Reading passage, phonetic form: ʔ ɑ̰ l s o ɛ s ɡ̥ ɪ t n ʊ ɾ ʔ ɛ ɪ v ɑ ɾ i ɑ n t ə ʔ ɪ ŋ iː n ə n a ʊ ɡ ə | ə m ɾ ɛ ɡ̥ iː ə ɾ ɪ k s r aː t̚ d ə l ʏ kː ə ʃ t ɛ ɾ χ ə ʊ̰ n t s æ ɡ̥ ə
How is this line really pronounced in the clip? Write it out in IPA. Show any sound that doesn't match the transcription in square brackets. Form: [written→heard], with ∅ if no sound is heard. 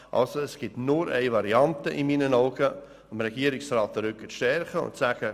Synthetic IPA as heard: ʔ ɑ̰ l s o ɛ s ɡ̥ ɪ t n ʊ ɾ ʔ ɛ ɪ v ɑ ɾ i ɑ n t ə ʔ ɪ [ŋ→m] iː n ə n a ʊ ɡ ə | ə m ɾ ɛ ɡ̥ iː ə ɾ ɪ k s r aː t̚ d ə [l→ɾ] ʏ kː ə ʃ t ɛ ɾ χ ə ʊ̰ n t s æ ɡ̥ ə

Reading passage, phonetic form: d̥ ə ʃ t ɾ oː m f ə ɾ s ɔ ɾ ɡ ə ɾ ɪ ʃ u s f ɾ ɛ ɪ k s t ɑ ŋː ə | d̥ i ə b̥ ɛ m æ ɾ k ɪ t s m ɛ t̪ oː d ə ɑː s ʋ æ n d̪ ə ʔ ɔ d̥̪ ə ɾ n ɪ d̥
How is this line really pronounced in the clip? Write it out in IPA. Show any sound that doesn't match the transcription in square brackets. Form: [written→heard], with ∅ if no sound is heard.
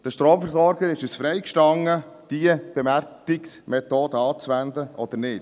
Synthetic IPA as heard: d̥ ə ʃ t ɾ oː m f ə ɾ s ɔ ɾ ɡ ə ɾ ɪ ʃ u s f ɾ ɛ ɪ k [s→ʃ] t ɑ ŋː ə | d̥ i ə b̥ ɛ m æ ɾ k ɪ [t→k] s m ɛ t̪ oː d ə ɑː [s→t͡s] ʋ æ n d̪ ə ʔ ɔ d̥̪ ə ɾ n ɪ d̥

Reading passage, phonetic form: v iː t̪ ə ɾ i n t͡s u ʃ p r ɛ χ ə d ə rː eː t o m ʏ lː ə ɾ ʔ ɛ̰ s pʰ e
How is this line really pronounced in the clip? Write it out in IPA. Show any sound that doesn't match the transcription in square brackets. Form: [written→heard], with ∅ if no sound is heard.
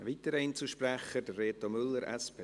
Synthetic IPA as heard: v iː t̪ ə ɾ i n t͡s u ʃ p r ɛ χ ə d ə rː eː t o m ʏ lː ə ɾ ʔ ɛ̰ s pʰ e

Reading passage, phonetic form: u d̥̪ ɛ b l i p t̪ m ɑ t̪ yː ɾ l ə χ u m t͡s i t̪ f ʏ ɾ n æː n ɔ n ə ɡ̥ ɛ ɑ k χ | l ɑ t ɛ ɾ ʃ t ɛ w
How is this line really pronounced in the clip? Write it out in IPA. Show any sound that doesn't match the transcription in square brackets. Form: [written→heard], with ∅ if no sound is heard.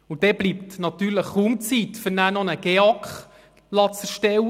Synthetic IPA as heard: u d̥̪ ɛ b l i p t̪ [m→n] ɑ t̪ yː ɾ l ə χ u m t͡s i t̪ f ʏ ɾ n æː n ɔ n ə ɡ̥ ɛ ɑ k χ | l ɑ [t→t͡s] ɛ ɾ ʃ t ɛ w

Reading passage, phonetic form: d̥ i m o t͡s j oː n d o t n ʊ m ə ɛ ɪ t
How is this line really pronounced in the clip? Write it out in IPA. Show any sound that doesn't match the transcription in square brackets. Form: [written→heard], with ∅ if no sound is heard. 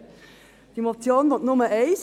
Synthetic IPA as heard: d̥ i m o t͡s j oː n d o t n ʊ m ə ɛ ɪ [t→s]

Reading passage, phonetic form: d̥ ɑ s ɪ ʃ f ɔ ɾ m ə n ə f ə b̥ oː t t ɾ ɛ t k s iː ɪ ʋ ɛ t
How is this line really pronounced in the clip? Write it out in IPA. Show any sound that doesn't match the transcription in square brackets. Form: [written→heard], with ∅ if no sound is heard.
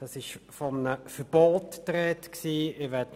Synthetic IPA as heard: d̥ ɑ s ɪ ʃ f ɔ [ɾ→∅] m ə n ə f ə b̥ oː t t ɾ ɛ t k s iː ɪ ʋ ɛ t

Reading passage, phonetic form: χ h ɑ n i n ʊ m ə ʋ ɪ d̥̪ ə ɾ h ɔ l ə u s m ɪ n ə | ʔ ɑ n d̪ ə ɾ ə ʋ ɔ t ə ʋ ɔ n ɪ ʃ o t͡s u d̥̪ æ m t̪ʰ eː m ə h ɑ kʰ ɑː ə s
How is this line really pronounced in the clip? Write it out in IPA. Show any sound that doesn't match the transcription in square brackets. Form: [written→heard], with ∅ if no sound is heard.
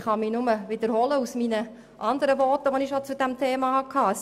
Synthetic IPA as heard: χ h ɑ [n→m] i n ʊ m ə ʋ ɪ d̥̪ ə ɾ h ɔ l ə u s m [ɪ→i] n ə | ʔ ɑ n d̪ ə ɾ ə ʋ ɔ t ə ʋ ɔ n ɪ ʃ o t͡s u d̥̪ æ m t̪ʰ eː m [ə→ɑ] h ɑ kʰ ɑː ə s

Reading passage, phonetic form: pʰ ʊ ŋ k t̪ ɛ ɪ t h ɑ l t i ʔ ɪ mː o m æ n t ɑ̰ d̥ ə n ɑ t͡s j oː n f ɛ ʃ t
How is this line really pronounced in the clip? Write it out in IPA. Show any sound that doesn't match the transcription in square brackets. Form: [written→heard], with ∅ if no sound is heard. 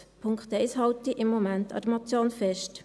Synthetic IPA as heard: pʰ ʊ ŋ k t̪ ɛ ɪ [t→s] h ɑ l t i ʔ ɪ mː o m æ n t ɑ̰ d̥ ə [n→m] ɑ t͡s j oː n f ɛ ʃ t

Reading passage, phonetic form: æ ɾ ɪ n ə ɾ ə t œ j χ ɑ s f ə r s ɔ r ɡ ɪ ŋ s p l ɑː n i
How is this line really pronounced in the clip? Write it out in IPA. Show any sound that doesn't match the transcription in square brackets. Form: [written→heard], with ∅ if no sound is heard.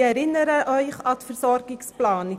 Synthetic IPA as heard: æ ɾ ɪ n ə ɾ ə [t→ʔ] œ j χ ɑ [s→t] f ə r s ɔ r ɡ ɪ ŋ s p l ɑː n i

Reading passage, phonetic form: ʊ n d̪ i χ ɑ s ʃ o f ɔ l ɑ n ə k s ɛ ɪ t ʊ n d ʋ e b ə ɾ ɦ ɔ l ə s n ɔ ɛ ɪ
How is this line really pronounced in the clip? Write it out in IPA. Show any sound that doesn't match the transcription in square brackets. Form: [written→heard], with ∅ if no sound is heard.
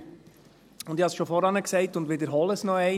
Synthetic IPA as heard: ʊ n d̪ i [χ→h] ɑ s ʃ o f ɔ [l→ɾ] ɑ n ə k s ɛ ɪ t ʊ n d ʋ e [b→d] ə ɾ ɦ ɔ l ə s n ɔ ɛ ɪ

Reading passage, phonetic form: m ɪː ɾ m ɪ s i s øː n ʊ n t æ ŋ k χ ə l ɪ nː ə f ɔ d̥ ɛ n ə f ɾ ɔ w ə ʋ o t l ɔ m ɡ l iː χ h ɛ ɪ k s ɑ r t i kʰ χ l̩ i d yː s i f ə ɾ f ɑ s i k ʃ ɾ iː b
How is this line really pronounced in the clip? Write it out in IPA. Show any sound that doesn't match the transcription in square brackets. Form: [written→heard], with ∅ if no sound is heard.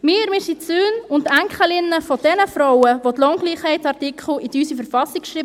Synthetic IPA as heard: m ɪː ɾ m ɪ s i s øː n ʊ n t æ ŋ k χ ə l ɪ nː ə f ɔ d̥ ɛ n ə f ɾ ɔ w ə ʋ o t l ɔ [m→ŋ] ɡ l iː χ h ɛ ɪ [k→t] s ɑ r t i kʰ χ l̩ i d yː s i f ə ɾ f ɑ s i k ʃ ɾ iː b

